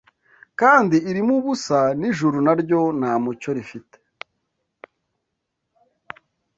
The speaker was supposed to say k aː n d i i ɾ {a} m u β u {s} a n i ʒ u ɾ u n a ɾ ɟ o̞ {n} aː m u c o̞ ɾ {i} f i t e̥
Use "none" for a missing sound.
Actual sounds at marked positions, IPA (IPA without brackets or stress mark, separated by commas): i, s, n, i